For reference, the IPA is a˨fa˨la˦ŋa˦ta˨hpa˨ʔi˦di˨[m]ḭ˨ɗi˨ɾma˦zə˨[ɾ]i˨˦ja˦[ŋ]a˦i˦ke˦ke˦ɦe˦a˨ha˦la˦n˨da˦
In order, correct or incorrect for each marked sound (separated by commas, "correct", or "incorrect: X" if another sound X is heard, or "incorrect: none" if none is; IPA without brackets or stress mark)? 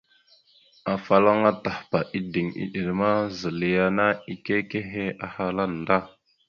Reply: incorrect: ŋ, incorrect: l, incorrect: n